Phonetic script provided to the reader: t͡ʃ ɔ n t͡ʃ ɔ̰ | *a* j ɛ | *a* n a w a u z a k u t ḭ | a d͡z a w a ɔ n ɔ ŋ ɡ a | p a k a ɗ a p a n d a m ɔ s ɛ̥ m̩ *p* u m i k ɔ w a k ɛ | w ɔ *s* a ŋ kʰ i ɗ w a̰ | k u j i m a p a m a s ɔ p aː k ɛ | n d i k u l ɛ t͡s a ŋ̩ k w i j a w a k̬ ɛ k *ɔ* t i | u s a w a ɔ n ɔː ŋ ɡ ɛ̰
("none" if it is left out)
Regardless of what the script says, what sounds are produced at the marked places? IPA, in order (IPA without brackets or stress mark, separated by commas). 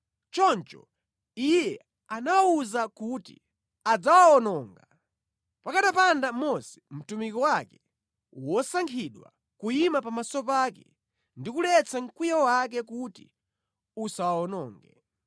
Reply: i, a, t, s, u